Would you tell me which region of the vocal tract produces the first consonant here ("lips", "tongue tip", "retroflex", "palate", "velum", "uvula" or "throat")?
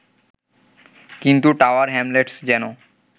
velum